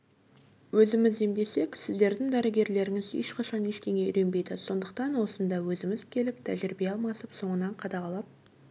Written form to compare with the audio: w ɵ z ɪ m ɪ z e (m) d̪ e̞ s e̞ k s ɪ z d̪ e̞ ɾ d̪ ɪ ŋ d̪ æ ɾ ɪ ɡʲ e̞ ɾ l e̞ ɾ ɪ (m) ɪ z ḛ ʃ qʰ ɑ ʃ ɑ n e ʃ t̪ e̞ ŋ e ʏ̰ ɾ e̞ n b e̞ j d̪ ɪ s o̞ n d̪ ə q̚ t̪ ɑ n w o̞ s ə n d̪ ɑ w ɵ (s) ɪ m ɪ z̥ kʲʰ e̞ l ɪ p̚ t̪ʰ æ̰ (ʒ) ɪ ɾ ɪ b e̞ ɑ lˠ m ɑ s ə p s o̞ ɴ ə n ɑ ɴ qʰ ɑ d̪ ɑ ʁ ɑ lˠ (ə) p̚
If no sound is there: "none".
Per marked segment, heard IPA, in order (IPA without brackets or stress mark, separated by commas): m, ŋ, z, ʒ, ɑ